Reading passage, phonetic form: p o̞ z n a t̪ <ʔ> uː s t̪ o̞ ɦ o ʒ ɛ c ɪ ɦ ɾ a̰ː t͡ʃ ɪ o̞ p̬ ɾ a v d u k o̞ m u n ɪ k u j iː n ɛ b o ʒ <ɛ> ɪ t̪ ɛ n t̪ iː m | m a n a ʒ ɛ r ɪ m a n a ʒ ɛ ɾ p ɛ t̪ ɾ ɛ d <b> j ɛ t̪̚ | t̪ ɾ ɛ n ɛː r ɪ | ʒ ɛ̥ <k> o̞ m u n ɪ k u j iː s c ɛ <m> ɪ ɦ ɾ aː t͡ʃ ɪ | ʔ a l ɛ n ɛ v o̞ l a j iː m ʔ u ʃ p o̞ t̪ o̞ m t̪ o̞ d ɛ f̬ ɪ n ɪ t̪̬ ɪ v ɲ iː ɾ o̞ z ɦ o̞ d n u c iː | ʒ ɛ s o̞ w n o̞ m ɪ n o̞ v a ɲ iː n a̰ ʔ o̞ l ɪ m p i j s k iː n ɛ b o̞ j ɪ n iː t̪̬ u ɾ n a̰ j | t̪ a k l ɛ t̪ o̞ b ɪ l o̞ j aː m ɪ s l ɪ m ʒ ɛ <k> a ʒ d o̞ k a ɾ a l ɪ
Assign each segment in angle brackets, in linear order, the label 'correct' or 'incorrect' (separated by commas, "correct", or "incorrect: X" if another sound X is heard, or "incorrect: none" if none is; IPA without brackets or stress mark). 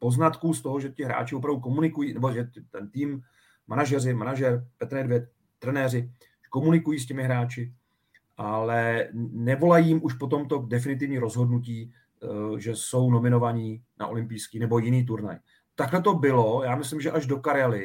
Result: incorrect: k, correct, incorrect: v, correct, correct, incorrect: ʔ